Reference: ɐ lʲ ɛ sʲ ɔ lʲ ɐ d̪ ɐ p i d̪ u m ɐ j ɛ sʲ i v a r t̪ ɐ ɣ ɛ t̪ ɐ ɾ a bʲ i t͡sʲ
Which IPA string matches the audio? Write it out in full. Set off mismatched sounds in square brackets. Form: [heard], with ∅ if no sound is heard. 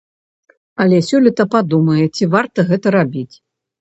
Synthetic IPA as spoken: ɐ lʲ ɛ sʲ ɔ lʲ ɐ [t̪] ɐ p [a] d̪ u m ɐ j ɛ [t͡sʲ] i v a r t̪ ɐ ɣ ɛ t̪ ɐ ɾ a bʲ i t͡sʲ